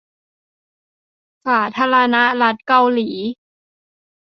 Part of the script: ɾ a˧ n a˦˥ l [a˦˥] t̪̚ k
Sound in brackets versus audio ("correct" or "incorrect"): correct